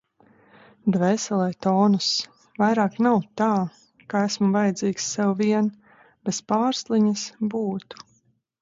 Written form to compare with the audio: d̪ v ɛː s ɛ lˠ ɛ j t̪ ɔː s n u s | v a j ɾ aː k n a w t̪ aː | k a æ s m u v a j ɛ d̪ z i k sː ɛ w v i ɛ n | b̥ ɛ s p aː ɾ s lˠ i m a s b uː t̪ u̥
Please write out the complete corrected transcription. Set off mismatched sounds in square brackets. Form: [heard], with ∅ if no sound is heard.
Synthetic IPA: d̪ v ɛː s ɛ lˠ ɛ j t̪ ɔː [∅] n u s | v a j ɾ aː k n a w t̪ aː | k a æ s m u v a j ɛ d̪ z [iː] k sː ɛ w v i ɛ n | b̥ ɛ s p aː ɾ s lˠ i [ɲ] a s b uː t̪ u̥